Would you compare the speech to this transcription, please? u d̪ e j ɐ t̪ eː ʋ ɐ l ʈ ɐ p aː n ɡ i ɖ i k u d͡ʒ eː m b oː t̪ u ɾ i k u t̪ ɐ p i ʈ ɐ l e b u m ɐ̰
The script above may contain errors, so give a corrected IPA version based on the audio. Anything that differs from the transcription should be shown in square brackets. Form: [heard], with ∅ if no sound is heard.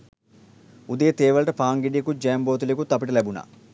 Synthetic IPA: u d̪ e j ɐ t̪ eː ʋ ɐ l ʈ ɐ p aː [ŋ] ɡ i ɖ i k u d͡ʒ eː m b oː t̪ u [l] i k u t̪ ɐ p i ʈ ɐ l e b u [n] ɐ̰